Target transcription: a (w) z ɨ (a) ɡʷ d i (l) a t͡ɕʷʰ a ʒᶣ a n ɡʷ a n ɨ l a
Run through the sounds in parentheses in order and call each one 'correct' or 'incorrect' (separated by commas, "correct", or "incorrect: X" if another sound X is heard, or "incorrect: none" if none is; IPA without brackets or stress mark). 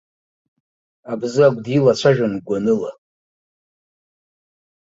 incorrect: b, correct, correct